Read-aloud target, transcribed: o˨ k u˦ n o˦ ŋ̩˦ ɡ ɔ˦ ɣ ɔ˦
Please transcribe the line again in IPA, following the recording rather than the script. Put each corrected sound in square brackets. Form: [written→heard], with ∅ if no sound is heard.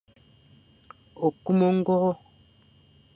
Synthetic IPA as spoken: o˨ k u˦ [n→m] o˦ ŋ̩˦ ɡ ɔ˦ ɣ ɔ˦